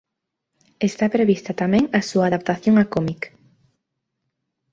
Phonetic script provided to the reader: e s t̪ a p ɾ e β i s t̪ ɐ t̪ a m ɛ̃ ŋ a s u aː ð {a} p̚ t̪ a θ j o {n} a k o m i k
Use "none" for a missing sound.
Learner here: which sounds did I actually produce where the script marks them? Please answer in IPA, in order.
a, ŋ

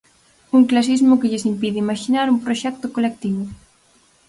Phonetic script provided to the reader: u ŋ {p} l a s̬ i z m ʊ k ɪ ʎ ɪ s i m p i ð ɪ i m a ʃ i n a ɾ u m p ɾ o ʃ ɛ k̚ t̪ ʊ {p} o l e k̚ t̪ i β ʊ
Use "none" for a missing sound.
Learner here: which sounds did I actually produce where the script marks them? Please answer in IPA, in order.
k, k

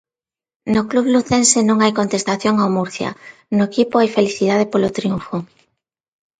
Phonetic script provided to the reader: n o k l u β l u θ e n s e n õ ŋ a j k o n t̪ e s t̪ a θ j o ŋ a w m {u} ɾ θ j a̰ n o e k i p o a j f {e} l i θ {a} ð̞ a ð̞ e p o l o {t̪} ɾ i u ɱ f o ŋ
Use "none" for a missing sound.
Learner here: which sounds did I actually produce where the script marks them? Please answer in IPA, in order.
u, e, i, t̪

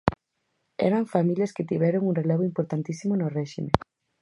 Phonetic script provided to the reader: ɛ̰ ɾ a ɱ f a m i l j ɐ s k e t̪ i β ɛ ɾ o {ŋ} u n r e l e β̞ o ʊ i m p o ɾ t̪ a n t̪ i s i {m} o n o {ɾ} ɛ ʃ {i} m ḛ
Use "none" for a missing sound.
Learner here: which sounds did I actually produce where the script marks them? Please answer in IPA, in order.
ŋ, m, r, i

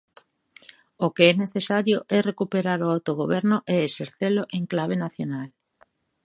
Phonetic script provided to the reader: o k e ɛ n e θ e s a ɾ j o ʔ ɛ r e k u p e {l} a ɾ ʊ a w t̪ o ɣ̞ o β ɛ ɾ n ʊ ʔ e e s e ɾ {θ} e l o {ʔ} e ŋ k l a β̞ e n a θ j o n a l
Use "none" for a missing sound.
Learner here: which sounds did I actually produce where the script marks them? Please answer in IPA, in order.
ɾ, θ, ʔ

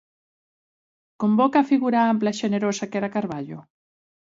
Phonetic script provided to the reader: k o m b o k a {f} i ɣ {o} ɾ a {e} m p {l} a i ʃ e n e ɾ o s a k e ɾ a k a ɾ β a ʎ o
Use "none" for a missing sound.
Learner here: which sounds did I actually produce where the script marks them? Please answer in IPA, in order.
f, u, a, l

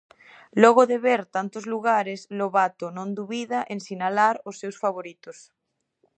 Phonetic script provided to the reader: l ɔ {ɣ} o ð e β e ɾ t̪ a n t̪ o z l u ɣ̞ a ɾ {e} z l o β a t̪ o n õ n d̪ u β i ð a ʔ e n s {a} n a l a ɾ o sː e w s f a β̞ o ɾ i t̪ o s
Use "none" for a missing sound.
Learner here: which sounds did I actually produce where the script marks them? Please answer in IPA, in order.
ɣ, e, i

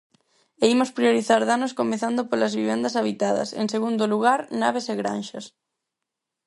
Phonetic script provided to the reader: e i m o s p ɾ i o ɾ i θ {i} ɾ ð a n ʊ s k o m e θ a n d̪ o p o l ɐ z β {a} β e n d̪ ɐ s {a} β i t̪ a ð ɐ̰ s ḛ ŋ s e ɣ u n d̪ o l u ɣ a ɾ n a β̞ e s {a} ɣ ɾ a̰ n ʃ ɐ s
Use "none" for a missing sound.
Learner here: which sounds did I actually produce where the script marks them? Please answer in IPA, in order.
a, i, a, e

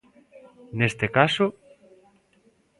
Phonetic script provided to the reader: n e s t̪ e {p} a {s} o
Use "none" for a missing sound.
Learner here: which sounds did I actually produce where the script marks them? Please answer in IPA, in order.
k, s

